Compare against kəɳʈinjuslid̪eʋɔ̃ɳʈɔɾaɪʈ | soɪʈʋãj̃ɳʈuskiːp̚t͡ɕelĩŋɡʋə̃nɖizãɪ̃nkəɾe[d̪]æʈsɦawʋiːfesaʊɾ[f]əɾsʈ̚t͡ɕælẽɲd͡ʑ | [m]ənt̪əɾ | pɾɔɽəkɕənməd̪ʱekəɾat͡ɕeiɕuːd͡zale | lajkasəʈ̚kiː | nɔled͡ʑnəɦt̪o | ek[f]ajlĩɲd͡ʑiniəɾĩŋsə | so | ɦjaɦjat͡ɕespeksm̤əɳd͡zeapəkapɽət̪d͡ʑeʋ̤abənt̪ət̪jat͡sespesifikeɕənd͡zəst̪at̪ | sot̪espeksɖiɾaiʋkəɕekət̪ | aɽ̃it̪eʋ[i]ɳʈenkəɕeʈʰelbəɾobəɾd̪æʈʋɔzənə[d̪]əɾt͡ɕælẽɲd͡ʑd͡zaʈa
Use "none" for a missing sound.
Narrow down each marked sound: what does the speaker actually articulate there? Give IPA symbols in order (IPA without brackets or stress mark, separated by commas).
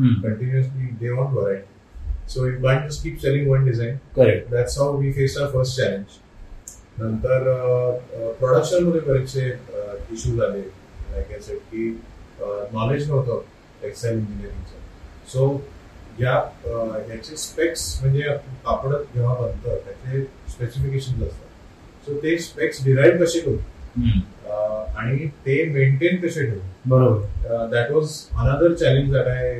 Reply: d̪, f, n, s, e, d̪